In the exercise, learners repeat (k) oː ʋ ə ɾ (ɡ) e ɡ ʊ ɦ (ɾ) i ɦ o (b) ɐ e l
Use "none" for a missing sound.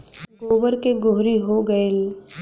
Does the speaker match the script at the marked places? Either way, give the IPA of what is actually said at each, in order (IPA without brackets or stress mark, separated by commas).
ɡ, k, ɾ, ɡ